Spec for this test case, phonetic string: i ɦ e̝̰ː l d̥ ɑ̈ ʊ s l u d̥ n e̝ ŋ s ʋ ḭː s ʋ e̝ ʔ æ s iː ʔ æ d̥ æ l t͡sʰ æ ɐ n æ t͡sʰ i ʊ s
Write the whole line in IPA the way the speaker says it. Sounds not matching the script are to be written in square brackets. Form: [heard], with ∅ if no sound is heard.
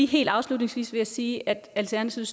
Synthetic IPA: i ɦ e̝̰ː l d̥ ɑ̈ ʊ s l u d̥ n e̝ ŋ s ʋ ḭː s ʋ e̝ [∅] æ s iː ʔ æ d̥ æ l t͡sʰ æ ɐ n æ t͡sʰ i ʊ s

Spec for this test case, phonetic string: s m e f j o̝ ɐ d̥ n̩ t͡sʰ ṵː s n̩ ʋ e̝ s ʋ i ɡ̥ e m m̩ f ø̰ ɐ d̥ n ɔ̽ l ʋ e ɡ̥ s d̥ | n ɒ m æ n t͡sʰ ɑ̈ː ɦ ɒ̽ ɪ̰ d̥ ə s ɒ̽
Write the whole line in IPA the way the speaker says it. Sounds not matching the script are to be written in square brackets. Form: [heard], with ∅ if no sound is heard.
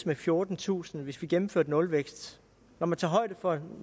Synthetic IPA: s m e f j o̝ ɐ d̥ n̩ t͡sʰ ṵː s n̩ ʋ e̝ s ʋ i ɡ̥ e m m̩ f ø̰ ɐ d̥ n ɔ̽ l ʋ e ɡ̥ s d̥ | n ɒ m æ n t͡sʰ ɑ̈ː ɦ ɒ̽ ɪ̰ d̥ ə [f] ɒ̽

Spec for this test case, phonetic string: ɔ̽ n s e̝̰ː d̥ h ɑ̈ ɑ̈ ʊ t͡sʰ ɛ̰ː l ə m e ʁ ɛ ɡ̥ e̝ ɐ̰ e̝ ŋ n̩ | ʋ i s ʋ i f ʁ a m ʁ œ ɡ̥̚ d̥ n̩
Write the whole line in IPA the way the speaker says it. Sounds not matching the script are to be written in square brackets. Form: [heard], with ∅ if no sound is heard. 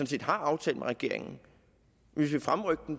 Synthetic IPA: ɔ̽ n s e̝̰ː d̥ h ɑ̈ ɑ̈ ʊ t͡sʰ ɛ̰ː l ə m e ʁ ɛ ɡ̥ e̝ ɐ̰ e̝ ŋ n̩ | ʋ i s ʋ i f ʁ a m ʁ œ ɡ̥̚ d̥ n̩

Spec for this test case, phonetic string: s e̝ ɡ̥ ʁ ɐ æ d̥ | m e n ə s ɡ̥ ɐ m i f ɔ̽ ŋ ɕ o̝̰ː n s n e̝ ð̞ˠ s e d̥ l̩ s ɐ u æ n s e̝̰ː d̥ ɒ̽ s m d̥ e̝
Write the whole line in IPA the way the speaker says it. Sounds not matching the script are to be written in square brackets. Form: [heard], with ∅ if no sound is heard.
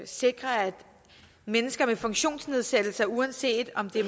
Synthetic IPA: s e̝ ɡ̥ ʁ ɐ æ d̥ | m e n ə s ɡ̥ ɐ m [e] f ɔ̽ ŋ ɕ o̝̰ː n s n e̝ ð̞ˠ s e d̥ l̩ s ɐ u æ n s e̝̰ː d̥ ɒ̽ [∅] m d̥ e̝

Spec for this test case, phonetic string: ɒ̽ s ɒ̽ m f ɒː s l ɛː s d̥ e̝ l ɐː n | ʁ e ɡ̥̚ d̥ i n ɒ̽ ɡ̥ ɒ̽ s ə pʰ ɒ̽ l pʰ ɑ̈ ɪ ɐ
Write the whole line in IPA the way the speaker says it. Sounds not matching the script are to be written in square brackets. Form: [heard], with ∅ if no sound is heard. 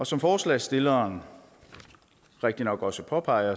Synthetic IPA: ɒ̽ s ɒ̽ m f ɒː s l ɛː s d̥ e̝ l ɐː n | ʁ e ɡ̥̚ d̥ i n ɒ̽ ɡ̥ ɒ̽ s ə pʰ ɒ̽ [∅] pʰ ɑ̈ ɪ ɐ

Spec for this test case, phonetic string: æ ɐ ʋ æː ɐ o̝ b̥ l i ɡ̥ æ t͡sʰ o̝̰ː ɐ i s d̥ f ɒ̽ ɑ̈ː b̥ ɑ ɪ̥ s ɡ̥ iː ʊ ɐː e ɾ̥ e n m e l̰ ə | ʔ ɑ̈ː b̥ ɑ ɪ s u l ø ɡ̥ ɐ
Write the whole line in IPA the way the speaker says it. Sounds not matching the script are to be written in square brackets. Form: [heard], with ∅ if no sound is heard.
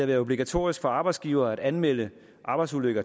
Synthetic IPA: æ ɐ ʋ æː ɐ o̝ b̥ l i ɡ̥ æ t͡sʰ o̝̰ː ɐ i s [ɡ̥] f ɒ̽ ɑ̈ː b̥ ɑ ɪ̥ s ɡ̥ iː ʊ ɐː [æ] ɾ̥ [æ] n m e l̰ ə | ʔ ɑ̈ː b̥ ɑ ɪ s u l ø ɡ̥ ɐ

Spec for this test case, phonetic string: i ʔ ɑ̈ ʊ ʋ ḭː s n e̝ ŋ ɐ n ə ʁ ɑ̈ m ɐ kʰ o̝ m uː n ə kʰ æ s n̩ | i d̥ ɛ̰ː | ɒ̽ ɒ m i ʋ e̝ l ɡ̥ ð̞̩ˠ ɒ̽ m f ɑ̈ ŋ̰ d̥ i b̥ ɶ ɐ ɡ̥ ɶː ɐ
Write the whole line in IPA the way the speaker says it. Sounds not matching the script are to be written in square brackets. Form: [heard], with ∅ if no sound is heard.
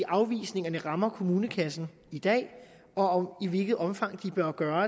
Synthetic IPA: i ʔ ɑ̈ ʊ ʋ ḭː s n e̝ ŋ ɐ n ə ʁ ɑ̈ m ɐ kʰ o̝ m uː n ə kʰ æ s n̩ | i d̥ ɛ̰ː | ɒ̽ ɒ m i ʋ e̝ l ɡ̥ ð̞̩ˠ ɒ̽ m f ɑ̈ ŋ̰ d̥ i b̥ ɶ ɐ ɡ̥ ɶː ɐ

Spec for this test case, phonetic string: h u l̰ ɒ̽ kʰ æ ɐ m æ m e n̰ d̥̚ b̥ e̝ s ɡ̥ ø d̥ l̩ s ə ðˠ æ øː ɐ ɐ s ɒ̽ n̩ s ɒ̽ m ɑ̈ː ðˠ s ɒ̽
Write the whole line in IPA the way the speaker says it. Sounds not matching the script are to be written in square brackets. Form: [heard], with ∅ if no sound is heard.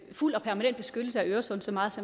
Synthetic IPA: [f] u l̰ ɒ̽ [pʰ] æ ɐ m æ [n] e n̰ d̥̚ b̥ e̝ s ɡ̥ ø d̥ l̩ s ə [∅] æ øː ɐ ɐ s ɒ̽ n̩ s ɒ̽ m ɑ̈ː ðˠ s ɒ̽

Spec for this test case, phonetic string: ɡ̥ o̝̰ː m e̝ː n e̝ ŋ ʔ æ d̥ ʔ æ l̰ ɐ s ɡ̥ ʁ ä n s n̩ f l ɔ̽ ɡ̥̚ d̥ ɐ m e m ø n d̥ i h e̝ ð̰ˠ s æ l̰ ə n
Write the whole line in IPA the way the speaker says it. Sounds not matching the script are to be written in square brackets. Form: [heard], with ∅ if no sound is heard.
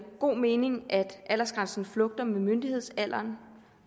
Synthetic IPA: ɡ̥ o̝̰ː m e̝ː n e̝ ŋ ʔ æ d̥ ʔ æ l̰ ɐ s ɡ̥ ʁ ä n s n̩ f l ɔ̽ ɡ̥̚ d̥ ɐ m e m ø n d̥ i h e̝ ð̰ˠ s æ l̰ [ɐ] n

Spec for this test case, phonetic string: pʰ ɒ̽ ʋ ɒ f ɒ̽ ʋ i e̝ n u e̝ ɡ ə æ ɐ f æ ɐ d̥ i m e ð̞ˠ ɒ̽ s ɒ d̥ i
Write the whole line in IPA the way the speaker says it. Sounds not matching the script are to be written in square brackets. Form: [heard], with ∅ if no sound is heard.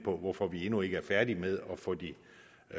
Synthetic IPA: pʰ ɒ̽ ʋ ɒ f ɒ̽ ʋ i e̝ n u e̝ ɡ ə æ ɐ f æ ɐ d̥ i m e ð̞ˠ ɒ̽ [f] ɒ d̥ i

